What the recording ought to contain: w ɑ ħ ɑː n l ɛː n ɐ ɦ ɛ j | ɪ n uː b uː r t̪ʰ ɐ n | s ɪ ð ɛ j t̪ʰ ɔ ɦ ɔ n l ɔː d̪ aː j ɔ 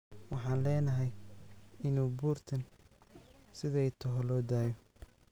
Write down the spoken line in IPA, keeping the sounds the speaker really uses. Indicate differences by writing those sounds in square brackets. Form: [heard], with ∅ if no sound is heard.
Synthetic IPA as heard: w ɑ ħ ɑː n l ɛː n ɐ ɦ ɛ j | ɪ n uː b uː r t̪ʰ ɐ n | s ɪ ð ɛ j t̪ʰ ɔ ɦ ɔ [∅] l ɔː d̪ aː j ɔ